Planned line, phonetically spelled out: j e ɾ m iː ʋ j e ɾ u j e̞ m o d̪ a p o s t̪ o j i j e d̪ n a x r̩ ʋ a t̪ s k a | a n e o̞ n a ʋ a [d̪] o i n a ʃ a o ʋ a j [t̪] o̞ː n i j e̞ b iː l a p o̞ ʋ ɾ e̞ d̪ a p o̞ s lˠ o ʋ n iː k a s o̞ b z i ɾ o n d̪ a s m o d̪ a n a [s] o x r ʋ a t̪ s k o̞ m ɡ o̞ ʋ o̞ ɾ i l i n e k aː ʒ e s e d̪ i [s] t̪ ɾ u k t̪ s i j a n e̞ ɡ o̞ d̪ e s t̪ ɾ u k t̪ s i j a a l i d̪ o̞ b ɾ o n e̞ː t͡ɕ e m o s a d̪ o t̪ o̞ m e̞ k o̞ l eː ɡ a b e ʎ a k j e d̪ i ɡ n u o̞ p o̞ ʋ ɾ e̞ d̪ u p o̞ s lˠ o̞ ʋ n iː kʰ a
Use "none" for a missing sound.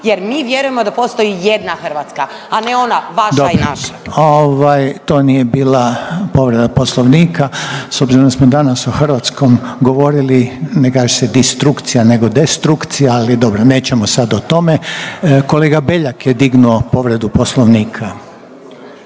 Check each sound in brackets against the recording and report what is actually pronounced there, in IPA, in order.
d̪, t̪, s, s

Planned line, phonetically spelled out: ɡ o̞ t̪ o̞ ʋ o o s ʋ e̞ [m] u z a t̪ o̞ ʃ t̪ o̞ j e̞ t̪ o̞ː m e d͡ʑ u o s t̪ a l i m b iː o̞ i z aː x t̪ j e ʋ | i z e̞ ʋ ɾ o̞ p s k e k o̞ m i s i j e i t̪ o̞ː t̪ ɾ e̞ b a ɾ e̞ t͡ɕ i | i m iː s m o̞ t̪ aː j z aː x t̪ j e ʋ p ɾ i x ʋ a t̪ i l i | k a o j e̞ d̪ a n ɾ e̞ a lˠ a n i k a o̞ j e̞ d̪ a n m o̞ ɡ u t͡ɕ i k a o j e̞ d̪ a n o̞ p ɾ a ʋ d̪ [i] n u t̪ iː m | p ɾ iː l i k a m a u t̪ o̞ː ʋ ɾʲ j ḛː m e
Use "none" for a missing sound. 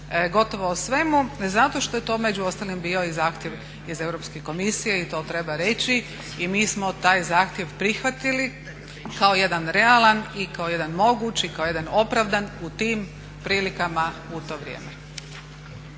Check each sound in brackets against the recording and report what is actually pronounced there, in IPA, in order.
m, a

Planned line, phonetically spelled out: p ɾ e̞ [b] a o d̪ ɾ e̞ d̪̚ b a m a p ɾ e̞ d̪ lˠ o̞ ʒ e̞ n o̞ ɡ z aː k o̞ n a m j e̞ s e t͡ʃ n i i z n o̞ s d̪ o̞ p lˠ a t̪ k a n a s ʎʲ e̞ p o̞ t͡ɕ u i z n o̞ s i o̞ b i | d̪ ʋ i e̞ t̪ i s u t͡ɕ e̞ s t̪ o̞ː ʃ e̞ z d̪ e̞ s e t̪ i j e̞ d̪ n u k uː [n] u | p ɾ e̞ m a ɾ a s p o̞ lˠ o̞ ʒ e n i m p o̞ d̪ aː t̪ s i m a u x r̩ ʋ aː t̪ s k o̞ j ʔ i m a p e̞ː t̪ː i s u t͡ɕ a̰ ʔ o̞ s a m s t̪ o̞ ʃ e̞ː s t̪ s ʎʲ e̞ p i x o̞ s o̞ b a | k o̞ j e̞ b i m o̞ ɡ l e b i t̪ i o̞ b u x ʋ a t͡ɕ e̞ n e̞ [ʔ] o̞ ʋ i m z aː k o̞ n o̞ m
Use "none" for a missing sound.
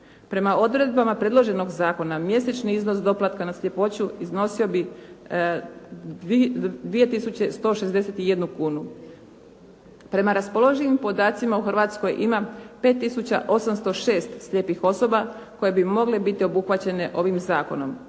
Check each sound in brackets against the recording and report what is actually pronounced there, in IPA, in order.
m, n, ʔ

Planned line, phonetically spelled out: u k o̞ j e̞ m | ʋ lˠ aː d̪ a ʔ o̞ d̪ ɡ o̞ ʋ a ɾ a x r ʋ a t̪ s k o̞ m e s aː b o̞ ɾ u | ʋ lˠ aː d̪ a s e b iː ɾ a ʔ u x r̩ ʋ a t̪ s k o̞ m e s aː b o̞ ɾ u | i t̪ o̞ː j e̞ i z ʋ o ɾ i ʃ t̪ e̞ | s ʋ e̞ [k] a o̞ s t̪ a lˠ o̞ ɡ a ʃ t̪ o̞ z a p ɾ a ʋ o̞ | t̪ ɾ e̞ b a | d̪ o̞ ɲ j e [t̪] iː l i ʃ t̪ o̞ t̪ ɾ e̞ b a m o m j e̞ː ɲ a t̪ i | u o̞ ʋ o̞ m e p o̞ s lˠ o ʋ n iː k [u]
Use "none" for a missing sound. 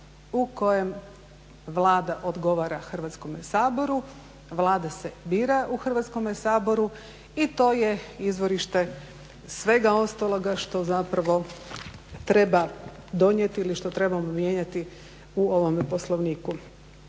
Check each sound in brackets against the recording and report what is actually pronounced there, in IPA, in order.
ɡ, t̪, u

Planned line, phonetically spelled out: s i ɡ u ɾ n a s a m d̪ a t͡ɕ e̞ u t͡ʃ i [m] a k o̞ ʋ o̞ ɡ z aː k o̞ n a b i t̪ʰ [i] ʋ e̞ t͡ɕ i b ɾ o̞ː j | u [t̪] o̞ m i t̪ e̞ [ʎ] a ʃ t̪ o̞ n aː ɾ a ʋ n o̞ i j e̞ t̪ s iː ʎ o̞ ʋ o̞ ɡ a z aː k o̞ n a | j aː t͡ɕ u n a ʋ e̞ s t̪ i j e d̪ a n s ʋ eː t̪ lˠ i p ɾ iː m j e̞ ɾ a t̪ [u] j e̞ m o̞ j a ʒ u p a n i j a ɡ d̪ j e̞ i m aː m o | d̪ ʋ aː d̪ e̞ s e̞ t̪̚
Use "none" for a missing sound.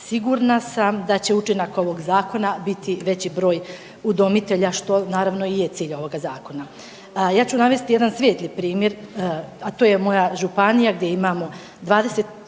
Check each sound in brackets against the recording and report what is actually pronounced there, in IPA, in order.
n, i, d̪, ʎ, o

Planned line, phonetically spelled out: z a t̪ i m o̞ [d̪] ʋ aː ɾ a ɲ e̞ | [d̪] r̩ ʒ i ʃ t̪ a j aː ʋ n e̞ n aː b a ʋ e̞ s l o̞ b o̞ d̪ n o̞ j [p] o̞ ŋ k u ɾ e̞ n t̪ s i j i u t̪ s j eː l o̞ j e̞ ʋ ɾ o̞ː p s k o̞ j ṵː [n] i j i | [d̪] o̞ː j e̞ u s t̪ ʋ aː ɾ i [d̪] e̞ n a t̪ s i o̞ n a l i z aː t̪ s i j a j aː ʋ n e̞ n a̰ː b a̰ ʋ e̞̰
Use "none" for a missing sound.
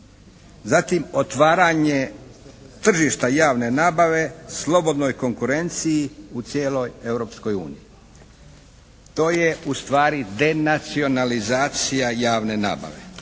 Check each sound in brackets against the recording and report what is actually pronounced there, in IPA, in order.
t̪, t̪, k, n, t̪, d̪

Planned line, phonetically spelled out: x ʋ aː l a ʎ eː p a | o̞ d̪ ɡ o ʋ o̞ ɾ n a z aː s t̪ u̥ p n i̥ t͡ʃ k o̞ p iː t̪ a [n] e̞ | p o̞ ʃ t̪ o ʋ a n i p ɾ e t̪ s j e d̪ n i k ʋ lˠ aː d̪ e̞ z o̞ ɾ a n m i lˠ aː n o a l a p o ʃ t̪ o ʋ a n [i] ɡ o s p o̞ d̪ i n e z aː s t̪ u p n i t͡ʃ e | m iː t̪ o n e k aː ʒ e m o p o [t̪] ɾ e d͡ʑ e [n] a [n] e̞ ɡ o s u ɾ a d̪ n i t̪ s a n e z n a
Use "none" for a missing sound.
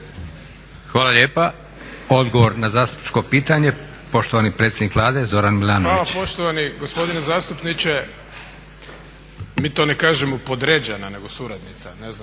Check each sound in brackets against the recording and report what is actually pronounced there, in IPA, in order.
ɲ, i, d̪, n, n

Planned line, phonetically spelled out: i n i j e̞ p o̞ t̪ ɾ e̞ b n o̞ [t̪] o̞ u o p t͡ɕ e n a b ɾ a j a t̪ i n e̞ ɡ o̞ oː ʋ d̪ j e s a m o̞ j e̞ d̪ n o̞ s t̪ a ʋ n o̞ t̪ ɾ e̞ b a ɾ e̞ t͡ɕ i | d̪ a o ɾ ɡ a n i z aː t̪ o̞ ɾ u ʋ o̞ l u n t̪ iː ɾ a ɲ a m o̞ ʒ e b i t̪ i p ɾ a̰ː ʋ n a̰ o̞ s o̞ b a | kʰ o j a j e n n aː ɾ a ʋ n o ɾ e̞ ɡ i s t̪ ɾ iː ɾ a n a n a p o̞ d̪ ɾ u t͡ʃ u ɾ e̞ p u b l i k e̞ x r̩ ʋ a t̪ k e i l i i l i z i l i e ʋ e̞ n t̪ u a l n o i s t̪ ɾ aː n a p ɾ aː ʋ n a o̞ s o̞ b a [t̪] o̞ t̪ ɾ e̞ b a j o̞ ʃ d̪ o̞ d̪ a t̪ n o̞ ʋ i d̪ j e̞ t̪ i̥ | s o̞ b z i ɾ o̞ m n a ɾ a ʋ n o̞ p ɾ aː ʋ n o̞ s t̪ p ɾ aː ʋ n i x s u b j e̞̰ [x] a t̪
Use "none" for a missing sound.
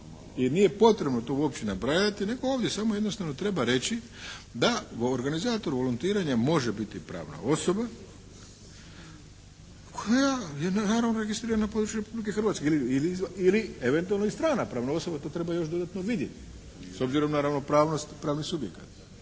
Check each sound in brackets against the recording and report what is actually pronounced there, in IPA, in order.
t̪, t̪, k

